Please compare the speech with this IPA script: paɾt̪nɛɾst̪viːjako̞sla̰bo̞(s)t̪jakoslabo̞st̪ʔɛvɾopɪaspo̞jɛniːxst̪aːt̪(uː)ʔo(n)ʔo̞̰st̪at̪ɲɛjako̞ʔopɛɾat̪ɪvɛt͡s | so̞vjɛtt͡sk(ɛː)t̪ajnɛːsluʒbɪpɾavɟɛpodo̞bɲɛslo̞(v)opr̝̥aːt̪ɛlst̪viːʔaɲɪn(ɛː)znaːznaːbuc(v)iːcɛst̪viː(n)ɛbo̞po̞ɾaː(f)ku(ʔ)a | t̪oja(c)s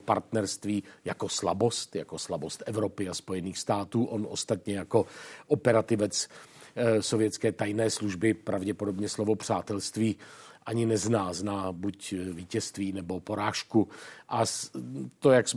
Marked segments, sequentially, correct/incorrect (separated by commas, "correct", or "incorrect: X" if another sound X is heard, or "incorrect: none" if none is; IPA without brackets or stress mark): correct, correct, correct, correct, correct, incorrect: ɛ, correct, correct, incorrect: ʃ, correct, incorrect: k